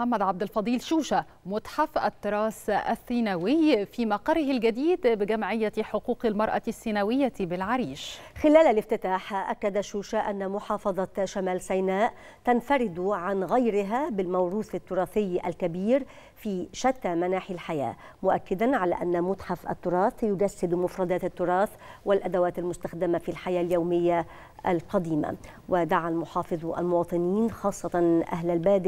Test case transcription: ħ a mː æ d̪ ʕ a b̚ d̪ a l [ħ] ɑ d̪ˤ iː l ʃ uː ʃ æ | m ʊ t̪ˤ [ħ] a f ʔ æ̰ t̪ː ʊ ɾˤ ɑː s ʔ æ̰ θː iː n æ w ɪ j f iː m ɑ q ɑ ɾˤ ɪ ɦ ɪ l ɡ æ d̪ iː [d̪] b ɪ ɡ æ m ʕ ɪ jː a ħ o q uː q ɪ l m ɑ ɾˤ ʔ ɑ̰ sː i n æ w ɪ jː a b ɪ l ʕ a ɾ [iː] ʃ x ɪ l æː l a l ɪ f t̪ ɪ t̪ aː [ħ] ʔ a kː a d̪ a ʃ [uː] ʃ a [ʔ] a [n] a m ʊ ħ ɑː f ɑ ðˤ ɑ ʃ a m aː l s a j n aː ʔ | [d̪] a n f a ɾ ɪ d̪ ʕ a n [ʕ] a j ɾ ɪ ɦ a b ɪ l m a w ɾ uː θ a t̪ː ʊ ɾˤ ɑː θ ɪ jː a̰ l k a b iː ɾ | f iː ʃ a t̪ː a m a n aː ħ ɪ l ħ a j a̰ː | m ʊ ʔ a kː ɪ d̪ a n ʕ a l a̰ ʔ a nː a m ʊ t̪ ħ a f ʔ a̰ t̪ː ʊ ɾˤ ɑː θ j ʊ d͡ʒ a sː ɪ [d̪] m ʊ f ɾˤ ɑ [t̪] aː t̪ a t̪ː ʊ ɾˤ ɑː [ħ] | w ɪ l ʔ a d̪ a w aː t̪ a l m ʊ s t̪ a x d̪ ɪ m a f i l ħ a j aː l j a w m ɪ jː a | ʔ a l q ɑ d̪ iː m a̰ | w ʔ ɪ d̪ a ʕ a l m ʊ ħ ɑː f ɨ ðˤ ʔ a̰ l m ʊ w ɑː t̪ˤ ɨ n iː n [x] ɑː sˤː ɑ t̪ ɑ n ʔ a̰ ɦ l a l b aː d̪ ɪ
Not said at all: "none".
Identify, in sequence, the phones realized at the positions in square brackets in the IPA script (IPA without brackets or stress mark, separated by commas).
f, ħ, d̪, iː, ħ, uː, ʔ, nː, t̪, ɣ, d̪, d̪, θ, x